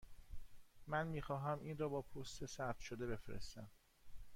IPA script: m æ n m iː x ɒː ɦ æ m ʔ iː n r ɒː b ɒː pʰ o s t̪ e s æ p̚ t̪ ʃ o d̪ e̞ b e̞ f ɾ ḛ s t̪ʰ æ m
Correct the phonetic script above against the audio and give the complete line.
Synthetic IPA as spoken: m æ n m iː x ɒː ɦ æ m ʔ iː n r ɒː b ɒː pʰ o s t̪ e s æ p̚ t̪ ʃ o d̪ e̞ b e̞ f ɾ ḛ s t̪ æ m

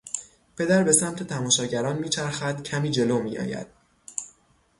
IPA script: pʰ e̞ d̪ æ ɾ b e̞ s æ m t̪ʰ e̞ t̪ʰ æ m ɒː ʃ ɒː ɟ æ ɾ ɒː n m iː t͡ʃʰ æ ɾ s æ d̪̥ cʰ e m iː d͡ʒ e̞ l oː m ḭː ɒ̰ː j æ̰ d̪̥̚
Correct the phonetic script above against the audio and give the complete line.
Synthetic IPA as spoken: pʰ e̞ d̪ æ ɾ b e̞ s æ m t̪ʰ e̞ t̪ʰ æ m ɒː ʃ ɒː ɟ æ ɾ ɒː n m iː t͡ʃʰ æ ɾ x æ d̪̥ cʰ æ m iː d͡ʒ e̞ l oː m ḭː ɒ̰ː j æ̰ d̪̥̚

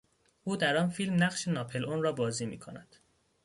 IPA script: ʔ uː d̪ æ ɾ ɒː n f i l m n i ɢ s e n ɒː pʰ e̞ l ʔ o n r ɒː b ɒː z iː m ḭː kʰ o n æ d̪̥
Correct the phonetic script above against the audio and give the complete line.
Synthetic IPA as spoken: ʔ uː d̪ æ ɾ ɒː n f i l m n æ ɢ ʃ e n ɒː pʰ e̞ l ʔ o n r ɒː b ɒː z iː m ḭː kʰ o n æ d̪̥

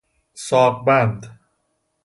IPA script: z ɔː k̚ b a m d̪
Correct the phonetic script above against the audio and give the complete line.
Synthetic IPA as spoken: s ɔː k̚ b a n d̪

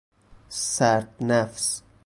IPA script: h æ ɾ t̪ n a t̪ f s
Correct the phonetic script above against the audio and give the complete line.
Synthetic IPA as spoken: s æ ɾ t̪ n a f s

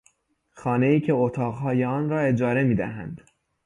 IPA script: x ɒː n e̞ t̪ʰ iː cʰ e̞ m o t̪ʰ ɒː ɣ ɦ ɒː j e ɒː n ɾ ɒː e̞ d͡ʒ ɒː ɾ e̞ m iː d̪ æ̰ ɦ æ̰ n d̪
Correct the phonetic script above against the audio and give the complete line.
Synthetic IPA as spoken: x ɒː n e̞ iː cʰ e̞ o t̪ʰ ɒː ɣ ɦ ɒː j e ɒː n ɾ ɒː e̞ d͡ʒ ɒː ɾ e̞ m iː d̪ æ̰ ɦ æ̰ n d̪

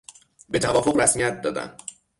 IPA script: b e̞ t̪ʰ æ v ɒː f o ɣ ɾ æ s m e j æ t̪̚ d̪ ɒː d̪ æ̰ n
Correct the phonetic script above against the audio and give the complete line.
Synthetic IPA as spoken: b e̞ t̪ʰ æ v ɒː f o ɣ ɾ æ s m i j æ t̪̚ d̪ ɒː d̪ æ̰ n

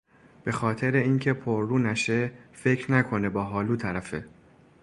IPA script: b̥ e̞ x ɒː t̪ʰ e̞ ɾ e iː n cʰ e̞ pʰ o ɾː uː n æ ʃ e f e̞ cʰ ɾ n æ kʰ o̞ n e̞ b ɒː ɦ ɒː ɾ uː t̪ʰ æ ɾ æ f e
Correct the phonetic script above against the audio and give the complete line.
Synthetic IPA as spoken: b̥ e̞ x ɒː t̪ʰ e̞ ɾ e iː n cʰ e̞ pʰ o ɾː uː n æ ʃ e f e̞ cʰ ɾ n æ kʰ o̞ n e̞ b ɒː ɦ ɒː l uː t̪ʰ æ ɾ æ f e

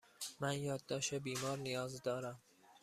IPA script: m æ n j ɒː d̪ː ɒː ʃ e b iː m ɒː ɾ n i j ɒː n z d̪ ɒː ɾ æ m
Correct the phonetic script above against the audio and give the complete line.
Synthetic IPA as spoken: m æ n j ɒː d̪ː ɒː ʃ e b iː m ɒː ɾ n i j ɒː z d̪ ɒː ɾ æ m

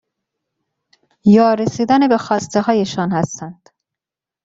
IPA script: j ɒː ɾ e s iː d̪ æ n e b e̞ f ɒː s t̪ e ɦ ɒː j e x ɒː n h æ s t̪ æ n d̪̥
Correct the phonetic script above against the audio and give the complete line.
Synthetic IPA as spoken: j ɒː ɾ e s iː d̪ æ n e b e̞ x ɒː s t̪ e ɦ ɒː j e ʃ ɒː n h æ s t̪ æ n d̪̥

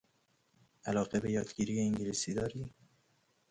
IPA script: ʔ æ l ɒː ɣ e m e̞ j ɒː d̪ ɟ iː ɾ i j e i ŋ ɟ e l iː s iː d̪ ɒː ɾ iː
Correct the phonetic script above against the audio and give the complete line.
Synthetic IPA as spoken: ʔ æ l ɒː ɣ e b e̞ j ɒː d̪ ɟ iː ɾ i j e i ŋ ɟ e l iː s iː d̪ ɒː ɾ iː

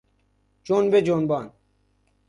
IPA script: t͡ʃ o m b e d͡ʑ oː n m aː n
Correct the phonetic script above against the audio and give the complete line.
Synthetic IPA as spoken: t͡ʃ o n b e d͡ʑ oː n b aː n

